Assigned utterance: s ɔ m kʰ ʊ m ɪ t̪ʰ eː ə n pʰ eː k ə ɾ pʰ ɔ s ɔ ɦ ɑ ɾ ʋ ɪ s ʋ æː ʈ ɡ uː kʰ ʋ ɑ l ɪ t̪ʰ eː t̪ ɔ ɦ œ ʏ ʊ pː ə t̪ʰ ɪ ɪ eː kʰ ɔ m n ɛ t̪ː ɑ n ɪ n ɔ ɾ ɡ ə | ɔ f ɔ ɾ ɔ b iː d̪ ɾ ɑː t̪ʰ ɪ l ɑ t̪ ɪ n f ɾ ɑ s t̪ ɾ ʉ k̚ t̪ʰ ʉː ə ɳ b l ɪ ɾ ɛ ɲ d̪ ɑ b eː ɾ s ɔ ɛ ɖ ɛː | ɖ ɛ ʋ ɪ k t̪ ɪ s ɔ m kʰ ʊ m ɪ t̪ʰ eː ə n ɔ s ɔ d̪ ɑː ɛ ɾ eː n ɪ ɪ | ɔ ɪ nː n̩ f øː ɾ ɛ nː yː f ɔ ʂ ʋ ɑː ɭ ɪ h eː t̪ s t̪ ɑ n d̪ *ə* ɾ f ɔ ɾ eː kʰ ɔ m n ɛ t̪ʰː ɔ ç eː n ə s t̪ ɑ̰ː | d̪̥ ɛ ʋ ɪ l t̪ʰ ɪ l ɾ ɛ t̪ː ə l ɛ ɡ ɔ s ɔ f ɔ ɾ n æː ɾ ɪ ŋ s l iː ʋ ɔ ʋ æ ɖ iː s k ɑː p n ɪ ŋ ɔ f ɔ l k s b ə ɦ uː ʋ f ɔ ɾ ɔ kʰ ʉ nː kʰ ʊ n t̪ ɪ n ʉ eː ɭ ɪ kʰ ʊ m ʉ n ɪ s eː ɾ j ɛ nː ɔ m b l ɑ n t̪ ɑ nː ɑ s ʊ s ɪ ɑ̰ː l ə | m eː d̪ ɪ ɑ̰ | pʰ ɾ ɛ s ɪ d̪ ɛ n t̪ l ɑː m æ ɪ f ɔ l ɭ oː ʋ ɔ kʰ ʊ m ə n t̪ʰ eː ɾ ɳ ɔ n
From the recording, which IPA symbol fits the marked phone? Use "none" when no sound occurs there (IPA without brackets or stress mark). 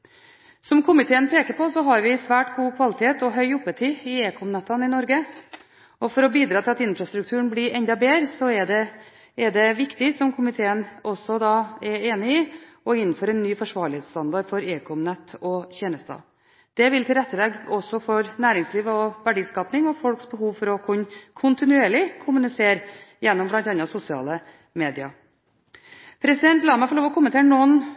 ɑ